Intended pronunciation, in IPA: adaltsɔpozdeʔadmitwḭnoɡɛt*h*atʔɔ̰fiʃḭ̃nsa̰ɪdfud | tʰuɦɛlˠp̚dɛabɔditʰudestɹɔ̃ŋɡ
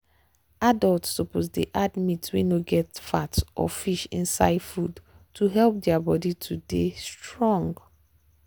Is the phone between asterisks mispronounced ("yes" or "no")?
yes